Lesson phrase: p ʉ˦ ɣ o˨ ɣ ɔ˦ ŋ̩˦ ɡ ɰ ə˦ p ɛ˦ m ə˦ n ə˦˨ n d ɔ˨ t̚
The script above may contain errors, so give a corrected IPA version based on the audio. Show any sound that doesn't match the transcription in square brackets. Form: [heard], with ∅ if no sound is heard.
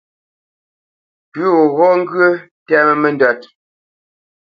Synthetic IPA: p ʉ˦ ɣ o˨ ɣ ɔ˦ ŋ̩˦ ɡ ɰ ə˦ [t] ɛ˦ m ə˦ [m] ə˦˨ n d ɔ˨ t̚